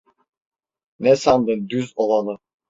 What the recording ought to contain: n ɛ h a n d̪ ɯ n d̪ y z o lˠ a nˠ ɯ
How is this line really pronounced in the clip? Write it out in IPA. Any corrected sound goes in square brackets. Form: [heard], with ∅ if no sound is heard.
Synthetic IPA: n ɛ [s] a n d̪ ɯ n d̪ y z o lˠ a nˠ ɯ